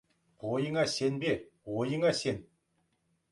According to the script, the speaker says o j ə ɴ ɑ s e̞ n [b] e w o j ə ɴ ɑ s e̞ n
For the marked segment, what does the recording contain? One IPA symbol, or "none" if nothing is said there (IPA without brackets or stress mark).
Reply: b